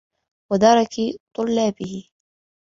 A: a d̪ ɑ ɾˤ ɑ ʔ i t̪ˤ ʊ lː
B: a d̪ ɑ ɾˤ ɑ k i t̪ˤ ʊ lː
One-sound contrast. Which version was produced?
B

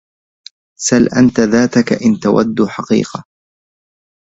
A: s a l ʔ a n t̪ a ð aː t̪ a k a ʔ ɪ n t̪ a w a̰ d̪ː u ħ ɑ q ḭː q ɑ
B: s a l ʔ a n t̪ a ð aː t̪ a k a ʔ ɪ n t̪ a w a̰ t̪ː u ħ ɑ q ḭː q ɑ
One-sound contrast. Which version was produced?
A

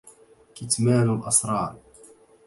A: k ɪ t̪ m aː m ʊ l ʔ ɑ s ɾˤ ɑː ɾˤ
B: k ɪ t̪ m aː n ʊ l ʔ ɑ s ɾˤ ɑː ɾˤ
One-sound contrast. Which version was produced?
B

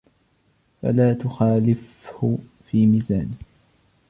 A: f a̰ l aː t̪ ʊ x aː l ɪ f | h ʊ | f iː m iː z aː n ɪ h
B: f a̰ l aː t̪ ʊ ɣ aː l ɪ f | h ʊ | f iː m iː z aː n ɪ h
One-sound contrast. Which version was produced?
A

